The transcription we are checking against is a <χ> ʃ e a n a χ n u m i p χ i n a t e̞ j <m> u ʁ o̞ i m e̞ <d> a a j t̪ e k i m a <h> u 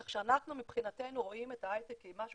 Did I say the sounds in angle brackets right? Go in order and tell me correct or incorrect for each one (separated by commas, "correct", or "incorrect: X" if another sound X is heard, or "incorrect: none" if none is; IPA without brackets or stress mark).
correct, incorrect: n, incorrect: t, incorrect: ʃ